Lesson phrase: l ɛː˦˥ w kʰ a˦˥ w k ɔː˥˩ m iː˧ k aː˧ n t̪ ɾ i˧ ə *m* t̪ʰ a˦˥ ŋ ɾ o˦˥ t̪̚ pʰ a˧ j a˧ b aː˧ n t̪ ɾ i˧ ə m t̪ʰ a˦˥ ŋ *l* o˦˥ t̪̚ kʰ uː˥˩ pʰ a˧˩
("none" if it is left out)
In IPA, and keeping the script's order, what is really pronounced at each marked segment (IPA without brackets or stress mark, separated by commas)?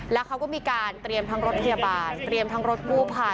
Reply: m, ɾ